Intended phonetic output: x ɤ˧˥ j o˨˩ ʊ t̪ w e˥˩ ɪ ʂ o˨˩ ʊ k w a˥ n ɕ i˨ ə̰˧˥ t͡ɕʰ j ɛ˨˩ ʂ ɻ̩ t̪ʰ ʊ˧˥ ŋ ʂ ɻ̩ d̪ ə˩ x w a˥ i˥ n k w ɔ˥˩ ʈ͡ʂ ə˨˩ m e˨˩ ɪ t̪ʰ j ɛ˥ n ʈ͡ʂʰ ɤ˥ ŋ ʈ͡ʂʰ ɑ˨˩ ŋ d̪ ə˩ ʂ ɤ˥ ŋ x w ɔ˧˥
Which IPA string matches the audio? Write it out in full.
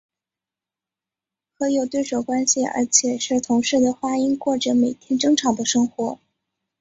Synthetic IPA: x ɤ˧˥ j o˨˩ ʊ t̪ w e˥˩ ɪ ʂ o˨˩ ʊ k w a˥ n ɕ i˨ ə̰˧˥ t͡ɕʰ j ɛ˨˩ ʂ ɻ̩ t̪ʰ ʊ˧˥ ŋ ʂ ɻ̩ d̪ ə˩ x w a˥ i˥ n k w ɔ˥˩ ʈ͡ʂ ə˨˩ m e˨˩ ɪ t̪ʰ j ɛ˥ n ʈ͡ʂ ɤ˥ ŋ ʈ͡ʂʰ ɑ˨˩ ŋ d̪ ə˦ ʂ ɤ˥ ŋ x w ɔ˧˥